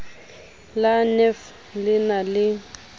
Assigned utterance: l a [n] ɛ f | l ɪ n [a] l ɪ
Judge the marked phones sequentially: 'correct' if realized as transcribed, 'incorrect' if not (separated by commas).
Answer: correct, correct